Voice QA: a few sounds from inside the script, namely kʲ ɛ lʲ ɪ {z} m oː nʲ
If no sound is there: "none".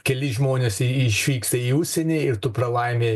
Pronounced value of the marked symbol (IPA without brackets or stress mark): ʒ